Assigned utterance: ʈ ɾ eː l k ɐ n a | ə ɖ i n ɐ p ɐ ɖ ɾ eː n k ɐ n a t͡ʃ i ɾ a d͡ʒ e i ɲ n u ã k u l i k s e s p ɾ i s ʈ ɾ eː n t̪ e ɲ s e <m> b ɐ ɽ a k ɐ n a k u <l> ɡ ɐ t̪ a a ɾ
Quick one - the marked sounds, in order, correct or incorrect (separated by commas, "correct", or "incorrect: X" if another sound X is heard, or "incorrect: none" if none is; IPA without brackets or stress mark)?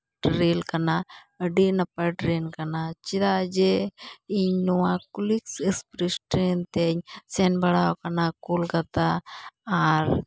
incorrect: n, correct